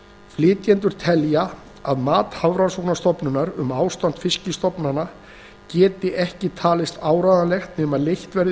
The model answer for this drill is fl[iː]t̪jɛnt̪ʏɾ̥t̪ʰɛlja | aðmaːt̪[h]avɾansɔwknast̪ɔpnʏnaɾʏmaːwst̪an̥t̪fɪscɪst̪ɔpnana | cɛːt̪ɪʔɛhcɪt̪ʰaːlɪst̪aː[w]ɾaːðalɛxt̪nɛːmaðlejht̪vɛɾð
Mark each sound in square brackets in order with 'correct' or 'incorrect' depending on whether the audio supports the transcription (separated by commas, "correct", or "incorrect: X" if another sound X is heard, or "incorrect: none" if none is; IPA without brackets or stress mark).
incorrect: ɪː, correct, correct